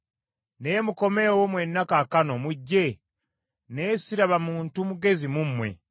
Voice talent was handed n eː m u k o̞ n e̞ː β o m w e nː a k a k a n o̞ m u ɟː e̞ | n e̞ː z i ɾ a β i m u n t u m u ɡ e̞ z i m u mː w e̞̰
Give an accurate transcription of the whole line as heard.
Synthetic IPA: n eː m u k o̞ m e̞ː w o m w e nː a k a k a n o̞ m u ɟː e̞ | n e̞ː s i ɾ a β a m uː n t u m u ɡ e̞ z i m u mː w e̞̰